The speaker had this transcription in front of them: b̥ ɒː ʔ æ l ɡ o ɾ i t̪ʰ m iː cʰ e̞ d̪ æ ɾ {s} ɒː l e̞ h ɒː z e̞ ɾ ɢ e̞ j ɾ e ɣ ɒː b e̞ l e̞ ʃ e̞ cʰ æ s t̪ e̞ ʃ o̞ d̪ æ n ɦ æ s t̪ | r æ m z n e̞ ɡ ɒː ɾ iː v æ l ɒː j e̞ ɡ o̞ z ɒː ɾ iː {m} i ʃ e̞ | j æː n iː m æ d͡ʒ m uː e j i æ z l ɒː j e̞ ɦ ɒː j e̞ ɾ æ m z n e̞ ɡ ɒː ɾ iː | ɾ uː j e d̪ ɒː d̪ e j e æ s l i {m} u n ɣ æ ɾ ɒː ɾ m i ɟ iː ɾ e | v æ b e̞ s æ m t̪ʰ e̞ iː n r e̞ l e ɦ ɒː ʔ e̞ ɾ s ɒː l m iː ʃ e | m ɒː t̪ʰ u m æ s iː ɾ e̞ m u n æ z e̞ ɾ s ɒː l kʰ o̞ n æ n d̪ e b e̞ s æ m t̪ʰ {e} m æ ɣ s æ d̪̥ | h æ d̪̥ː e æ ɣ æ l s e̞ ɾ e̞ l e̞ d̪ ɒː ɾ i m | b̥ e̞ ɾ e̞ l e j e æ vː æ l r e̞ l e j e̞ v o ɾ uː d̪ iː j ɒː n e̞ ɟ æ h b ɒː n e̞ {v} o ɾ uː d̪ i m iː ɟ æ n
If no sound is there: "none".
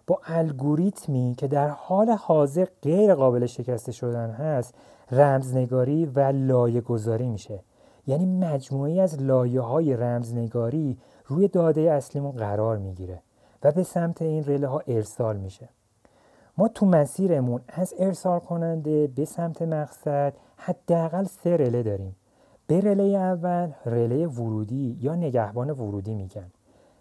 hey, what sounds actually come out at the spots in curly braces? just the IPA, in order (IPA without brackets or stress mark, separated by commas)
h, m, m, e, v